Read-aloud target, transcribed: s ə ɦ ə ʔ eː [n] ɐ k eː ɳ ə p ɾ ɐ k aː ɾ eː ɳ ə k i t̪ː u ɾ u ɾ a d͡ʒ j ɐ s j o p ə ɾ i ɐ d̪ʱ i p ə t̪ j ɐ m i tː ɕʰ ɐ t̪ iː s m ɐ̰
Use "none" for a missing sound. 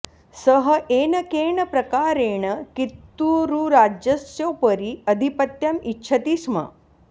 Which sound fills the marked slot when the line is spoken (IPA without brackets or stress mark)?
n